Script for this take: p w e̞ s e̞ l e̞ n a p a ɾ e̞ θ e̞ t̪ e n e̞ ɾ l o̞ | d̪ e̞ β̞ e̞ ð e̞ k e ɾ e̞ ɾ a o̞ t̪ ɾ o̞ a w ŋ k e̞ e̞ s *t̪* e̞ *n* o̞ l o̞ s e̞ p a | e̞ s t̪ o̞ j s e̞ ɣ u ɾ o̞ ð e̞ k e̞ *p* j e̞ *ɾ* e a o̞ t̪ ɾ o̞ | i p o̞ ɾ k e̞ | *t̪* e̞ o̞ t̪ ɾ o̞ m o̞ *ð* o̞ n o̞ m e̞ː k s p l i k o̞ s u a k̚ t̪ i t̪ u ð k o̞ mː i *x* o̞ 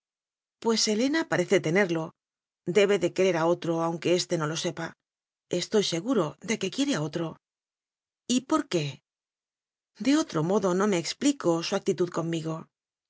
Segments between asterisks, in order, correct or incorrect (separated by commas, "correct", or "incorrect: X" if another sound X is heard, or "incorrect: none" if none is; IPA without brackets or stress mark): correct, correct, incorrect: k, correct, incorrect: d̪, correct, incorrect: ɣ